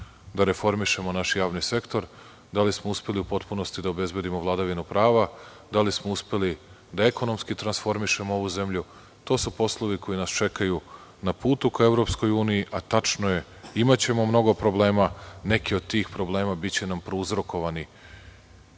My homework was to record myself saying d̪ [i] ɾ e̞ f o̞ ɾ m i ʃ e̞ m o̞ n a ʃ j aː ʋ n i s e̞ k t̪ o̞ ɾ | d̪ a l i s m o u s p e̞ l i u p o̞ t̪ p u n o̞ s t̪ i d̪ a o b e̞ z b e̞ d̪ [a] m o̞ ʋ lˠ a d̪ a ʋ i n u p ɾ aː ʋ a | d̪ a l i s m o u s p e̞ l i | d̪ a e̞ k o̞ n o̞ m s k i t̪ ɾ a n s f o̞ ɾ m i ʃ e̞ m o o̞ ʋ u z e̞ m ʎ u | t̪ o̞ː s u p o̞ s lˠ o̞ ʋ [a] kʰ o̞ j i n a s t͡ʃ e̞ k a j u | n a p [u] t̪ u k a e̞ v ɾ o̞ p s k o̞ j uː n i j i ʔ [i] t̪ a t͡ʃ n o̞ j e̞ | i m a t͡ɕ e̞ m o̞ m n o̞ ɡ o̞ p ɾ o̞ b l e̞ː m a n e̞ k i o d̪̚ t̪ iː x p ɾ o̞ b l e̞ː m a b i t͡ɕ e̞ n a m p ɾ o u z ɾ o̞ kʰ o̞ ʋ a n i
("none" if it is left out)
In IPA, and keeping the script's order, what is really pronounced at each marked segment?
a, i, i, uː, a

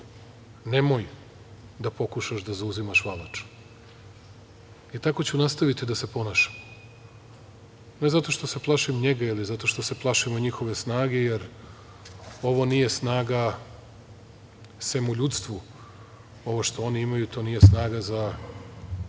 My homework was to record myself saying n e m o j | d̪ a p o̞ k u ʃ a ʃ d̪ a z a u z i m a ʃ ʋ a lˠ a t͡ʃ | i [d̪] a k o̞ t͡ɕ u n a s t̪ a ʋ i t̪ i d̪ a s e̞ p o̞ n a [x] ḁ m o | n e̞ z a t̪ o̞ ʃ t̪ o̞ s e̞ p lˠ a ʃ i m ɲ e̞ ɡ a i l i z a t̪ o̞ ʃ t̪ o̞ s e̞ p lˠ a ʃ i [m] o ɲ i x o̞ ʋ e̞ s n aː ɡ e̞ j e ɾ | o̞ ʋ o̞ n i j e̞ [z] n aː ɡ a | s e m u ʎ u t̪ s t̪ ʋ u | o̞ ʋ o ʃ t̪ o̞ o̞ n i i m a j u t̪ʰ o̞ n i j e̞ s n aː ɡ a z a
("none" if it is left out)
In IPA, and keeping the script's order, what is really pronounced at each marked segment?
t̪, ʃ, m, s

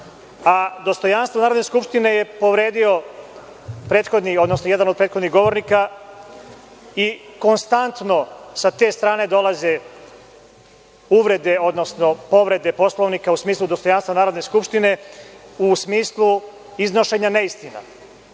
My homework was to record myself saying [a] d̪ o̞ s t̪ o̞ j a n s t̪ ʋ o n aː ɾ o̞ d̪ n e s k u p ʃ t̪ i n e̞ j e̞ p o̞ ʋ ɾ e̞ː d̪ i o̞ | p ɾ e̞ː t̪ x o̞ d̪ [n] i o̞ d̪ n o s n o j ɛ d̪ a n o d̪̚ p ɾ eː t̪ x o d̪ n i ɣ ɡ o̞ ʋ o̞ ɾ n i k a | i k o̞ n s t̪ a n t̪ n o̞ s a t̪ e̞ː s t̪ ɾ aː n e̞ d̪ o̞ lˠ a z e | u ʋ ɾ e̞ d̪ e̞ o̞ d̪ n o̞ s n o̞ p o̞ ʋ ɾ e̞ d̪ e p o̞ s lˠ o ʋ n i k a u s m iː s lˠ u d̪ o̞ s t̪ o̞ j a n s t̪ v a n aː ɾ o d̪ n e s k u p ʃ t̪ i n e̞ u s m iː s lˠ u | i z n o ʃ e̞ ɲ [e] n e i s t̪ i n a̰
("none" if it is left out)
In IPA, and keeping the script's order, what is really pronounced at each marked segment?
a, n, a

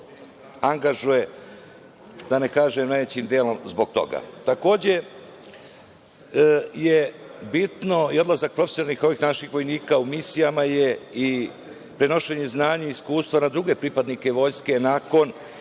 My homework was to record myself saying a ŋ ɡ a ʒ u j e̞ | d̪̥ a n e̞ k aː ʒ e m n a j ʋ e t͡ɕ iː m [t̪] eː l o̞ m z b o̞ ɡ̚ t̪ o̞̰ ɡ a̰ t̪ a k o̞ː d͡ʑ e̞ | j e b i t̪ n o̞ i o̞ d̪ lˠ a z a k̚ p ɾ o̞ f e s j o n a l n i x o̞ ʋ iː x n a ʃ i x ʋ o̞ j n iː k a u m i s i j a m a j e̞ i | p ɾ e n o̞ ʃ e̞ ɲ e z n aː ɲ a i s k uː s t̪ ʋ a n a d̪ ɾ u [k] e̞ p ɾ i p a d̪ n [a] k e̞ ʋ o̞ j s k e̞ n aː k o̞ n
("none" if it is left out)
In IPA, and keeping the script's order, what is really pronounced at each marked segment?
d̪, ɡ, i

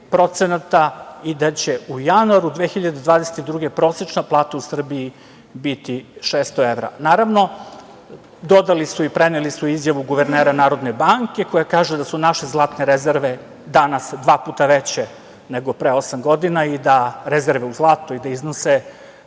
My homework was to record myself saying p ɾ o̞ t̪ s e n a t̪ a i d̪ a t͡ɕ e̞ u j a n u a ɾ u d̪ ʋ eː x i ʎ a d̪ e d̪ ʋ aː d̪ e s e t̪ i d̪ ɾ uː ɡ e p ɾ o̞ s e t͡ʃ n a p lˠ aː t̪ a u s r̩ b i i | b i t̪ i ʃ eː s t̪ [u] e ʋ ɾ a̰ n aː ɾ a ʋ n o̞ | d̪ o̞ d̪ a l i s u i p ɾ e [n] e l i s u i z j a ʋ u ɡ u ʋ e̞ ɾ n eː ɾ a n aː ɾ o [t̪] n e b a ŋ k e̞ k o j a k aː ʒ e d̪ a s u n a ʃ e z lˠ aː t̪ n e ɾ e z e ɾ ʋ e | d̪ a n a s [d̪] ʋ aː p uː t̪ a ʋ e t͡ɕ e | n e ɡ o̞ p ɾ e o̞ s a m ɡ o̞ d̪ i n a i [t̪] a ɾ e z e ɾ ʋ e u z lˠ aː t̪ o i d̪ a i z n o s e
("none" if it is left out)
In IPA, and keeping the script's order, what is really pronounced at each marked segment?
o, n, d̪, d̪, d̪

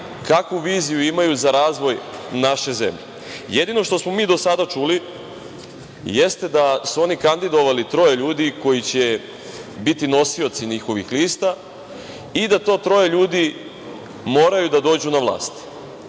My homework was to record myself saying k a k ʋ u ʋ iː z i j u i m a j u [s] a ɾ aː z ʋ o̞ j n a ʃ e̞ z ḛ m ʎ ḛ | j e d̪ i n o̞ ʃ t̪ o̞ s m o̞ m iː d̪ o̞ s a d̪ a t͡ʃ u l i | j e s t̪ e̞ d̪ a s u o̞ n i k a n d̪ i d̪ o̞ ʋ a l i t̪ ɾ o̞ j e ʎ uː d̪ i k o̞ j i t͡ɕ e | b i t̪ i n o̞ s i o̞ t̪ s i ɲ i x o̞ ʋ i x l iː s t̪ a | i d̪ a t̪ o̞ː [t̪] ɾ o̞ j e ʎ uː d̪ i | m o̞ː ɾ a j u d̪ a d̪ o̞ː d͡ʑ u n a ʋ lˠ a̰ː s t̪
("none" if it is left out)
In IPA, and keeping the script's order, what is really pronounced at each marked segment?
z, t̪

